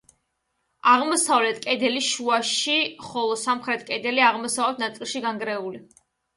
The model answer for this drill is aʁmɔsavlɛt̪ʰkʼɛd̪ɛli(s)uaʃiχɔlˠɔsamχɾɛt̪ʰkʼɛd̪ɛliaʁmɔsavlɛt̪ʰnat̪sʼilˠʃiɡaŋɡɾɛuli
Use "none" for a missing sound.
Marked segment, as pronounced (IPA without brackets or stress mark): ʃ